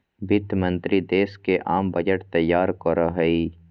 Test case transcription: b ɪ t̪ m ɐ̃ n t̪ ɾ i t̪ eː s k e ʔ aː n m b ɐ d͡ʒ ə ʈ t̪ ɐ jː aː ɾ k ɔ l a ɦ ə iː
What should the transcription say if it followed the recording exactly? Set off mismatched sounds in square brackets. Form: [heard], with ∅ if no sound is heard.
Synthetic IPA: b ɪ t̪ m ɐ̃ n t̪ ɾ i [d̪] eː s k e ʔ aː [∅] m b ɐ d͡ʒ ə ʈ t̪ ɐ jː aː ɾ k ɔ [ɾ] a ɦ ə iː